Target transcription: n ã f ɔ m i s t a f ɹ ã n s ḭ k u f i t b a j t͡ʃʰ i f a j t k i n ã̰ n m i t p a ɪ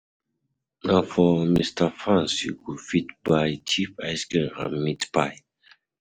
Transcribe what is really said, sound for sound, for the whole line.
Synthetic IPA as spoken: n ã f ɔ m i s t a f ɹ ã n s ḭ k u f i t b a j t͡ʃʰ i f a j s k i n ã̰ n m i t p a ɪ